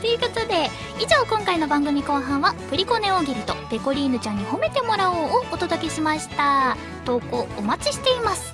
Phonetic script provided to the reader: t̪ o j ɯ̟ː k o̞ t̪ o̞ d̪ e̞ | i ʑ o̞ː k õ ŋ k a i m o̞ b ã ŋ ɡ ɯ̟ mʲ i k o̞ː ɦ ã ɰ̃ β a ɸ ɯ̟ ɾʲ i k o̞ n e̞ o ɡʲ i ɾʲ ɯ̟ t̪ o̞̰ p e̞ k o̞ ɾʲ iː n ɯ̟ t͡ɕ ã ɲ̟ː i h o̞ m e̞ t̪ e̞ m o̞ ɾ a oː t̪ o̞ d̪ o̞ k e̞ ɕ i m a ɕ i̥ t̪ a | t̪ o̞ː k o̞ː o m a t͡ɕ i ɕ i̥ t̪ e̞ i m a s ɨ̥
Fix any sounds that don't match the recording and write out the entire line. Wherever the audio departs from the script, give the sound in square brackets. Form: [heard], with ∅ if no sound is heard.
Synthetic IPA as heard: t̪ o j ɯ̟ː k o̞ t̪ o̞ d̪ e̞ | i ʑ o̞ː k õ ŋ k a i [n] o̞ b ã ŋ ɡ ɯ̟ mʲ i k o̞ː ɦ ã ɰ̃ β a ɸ ɯ̟ ɾʲ i k o̞ n e̞ o ɡʲ i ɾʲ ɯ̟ t̪ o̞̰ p e̞ k o̞ ɾʲ iː n ɯ̟ t͡ɕ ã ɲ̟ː i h o̞ m e̞ t̪ e̞ m o̞ ɾ a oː t̪ o̞ d̪ o̞ k e̞ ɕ i m a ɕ i̥ t̪ a | t̪ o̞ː k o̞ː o m a t͡ɕ i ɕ i̥ t̪ e̞ i m a s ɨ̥